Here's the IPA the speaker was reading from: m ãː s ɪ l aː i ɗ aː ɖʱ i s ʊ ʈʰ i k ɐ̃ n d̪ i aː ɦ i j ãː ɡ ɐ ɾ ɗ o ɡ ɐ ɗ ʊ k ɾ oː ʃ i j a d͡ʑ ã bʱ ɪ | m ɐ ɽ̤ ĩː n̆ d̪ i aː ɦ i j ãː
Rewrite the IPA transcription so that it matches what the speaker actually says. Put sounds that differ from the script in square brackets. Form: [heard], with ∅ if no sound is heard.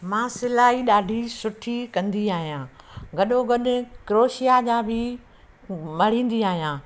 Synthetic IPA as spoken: m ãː s ɪ l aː i ɗ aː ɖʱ i s ʊ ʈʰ i k ɐ̃ n d̪ i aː ɦ i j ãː ɡ ɐ [∅] ɗ o ɡ ɐ ɗ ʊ k ɾ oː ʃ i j a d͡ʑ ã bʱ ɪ | m ɐ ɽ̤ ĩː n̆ d̪ i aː ɦ i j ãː

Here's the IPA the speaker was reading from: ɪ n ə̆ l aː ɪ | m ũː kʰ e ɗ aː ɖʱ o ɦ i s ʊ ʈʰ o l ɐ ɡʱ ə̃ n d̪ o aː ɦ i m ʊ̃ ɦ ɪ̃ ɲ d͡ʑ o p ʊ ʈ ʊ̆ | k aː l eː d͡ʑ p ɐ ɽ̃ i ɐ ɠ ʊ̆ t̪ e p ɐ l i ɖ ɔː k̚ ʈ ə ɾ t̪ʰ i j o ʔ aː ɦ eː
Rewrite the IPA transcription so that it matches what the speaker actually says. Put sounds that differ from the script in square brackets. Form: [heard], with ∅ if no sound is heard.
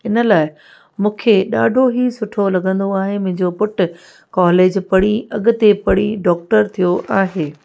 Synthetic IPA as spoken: ɪ n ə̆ l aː ɪ | m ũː kʰ e ɗ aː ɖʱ o ɦ i s ʊ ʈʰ o l ɐ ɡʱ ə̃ n d̪ o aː ɦ [e] m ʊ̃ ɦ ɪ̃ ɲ d͡ʑ o p ʊ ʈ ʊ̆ | k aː l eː d͡ʑ p ɐ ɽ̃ i ɐ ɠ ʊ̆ t̪ e p ɐ [ɽ] i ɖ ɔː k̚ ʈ ə ɾ t̪ʰ i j o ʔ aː ɦ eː

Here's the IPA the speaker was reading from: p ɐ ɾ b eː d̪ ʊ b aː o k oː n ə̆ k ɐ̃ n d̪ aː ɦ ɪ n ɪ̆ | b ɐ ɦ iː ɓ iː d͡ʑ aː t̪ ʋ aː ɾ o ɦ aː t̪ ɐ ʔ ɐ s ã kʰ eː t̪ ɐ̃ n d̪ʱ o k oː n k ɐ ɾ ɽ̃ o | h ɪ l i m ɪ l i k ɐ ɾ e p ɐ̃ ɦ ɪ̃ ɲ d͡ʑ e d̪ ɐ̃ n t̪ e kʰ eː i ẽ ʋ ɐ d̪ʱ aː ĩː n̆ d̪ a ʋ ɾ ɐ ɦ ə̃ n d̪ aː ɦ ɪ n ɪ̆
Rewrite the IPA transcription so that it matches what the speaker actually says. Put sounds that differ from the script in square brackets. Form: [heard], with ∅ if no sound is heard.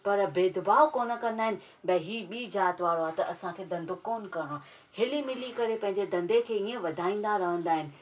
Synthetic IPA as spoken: p ɐ ɾ b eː d̪ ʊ b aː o k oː n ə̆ k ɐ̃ n d̪ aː ɦ ɪ n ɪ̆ | b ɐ ɦ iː ɓ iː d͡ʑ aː t̪ ʋ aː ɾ o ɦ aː t̪ ɐ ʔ ɐ s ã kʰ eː [d̪] ɐ̃ n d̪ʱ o k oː n k ɐ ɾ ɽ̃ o | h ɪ l i m ɪ l i k ɐ ɾ e p ɐ̃ ɦ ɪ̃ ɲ d͡ʑ e d̪ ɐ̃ n [d̪] e kʰ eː i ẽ ʋ ɐ d̪ʱ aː ĩː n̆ d̪ a [∅] ɾ ɐ ɦ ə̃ n d̪ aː ɦ ɪ n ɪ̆

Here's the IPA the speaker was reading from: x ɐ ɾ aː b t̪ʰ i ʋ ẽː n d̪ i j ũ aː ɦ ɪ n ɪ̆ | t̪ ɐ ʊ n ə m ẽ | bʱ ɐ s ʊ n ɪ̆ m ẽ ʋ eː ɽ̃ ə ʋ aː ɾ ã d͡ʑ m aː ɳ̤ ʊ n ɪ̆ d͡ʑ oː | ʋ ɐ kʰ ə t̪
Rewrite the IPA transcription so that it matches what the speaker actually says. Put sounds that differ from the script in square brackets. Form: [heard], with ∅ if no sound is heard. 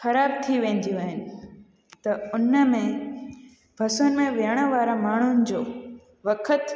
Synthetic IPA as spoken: x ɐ ɾ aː b t̪ʰ i ʋ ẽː n d̪ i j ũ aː ɦ ɪ n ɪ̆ | t̪ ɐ ʊ n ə m ẽ | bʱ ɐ s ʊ n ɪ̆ m ẽ ʋ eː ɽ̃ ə ʋ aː ɾ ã [∅] m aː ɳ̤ ʊ n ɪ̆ d͡ʑ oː | ʋ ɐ kʰ ə t̪

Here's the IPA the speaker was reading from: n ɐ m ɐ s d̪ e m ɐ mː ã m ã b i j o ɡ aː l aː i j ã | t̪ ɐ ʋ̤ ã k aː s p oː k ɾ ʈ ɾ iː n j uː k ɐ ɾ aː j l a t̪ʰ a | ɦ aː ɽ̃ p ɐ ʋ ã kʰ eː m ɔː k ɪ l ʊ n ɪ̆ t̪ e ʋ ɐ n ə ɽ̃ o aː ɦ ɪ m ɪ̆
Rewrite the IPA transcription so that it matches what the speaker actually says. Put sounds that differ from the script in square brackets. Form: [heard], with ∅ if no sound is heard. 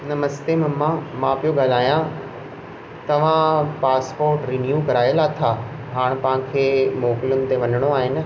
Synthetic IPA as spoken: n ɐ m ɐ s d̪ e m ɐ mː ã m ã [p] i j o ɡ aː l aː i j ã | t̪ ɐ ʋ̤ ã [p] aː s p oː [∅] ɾ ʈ ɾ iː n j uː k ɐ ɾ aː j l a t̪ʰ a | ɦ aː ɽ̃ p ɐ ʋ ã kʰ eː m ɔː k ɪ l ʊ n ɪ̆ t̪ e ʋ ɐ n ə ɽ̃ o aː ɦ ɪ [n] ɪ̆

